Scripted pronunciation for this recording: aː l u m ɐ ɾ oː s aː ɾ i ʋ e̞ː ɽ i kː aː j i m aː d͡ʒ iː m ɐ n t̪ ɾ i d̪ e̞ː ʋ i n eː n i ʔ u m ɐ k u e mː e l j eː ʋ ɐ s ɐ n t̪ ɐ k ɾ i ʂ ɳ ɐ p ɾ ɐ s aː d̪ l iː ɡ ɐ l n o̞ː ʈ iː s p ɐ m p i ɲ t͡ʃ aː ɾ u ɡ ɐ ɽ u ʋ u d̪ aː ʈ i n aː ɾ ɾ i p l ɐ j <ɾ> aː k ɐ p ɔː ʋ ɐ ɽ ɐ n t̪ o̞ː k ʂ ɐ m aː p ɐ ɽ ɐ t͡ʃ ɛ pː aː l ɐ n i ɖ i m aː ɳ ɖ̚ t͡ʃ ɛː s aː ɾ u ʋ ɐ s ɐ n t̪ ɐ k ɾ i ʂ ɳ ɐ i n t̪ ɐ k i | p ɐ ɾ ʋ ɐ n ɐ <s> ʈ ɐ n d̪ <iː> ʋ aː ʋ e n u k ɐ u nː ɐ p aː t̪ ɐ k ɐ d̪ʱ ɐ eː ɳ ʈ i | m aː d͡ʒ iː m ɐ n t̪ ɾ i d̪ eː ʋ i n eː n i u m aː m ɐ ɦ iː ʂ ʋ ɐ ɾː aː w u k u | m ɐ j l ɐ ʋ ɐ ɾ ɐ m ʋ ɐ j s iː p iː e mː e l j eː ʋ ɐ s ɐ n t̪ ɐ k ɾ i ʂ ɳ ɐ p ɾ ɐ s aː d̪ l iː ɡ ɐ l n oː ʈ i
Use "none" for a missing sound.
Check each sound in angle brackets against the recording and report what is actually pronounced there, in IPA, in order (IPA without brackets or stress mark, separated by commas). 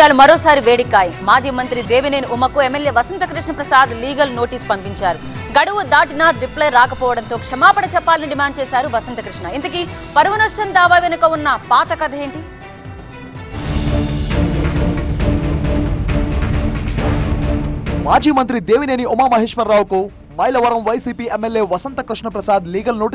ɾ, ʂ, aː